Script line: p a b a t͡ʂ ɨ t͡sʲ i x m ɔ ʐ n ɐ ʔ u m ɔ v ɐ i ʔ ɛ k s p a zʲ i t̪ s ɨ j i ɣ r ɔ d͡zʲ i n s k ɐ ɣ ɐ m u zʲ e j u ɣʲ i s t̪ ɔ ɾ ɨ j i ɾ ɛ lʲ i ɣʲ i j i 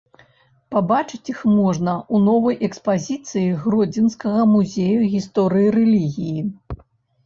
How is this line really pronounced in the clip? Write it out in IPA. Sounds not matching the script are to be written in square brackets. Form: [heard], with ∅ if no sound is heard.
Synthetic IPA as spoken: p a b a t͡ʂ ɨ t͡sʲ i x m ɔ ʐ n ɐ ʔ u [n] ɔ v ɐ [j] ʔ ɛ k s p a zʲ i t̪ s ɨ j i ɣ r ɔ d͡zʲ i n s k ɐ ɣ ɐ m u zʲ e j u ɣʲ i s t̪ ɔ ɾ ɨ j i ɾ ɛ lʲ i ɣʲ i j i